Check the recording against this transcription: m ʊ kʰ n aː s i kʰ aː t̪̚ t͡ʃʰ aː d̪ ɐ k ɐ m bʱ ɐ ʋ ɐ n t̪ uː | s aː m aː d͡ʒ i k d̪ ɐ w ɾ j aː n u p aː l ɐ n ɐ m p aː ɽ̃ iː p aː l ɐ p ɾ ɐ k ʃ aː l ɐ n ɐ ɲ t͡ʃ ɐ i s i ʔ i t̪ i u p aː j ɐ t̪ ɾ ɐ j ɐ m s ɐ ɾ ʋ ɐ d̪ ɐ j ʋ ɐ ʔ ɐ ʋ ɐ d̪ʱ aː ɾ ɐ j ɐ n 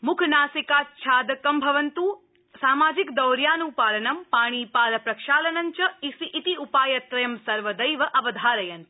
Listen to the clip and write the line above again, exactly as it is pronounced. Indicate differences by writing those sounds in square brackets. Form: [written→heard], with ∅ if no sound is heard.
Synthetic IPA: m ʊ kʰ n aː s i [kʰ→k] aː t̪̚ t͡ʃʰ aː d̪ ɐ k ɐ m bʱ ɐ ʋ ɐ n t̪ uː | s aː m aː d͡ʒ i k d̪ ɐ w ɾ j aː n u p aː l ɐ n ɐ m p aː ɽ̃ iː p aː l ɐ p ɾ ɐ k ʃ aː l ɐ n ɐ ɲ t͡ʃ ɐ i s i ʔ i t̪ i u p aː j ɐ t̪ ɾ ɐ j ɐ m s ɐ ɾ ʋ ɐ d̪ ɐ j ʋ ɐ ʔ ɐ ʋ ɐ d̪ʱ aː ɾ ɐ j ɐ n